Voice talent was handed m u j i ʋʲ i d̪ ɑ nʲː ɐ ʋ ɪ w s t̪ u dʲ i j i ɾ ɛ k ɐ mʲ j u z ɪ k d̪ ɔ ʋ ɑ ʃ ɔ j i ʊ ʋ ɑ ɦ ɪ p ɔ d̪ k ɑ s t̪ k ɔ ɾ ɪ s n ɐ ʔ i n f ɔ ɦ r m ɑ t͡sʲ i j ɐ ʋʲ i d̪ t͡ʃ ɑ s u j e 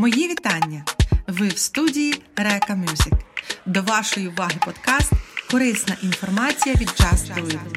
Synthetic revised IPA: m ɔ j i ʋʲ i t̪ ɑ nʲː ɐ ʋ ɪ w s t̪ u dʲ i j i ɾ ɛ k ɐ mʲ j u z ɪ k d̪ ɔ ʋ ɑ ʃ ɔ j i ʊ ʋ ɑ ɦ ɪ p ɔ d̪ k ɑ s t̪ k ɔ ɾ ɪ s n ɐ ʔ i n f ɔ r m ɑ t͡sʲ i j ɐ ʋʲ i d̪ t͡ʃ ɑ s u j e